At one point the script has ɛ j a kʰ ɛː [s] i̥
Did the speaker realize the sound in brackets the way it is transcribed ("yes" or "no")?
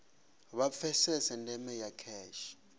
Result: no